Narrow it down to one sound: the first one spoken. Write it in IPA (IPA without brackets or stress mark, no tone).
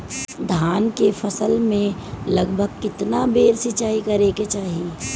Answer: d̪ʱ